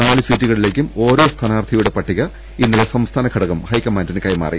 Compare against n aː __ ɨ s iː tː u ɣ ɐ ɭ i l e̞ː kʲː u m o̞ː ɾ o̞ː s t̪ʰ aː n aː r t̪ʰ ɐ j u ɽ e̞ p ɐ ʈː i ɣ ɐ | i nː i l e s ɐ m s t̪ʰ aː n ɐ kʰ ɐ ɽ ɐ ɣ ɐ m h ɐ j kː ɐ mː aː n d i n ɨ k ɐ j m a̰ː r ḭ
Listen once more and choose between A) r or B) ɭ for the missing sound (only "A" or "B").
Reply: B